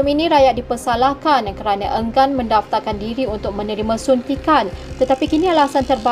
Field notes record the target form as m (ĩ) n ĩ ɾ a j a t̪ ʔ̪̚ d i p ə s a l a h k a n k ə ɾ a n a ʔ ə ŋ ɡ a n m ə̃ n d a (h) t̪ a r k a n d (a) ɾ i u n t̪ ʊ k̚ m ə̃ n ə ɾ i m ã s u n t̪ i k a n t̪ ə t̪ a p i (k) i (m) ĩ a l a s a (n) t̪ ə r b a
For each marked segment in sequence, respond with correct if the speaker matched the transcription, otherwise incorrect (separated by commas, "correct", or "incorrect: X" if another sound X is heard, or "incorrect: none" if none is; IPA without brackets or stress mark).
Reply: incorrect: i, incorrect: f, incorrect: i, correct, incorrect: n, correct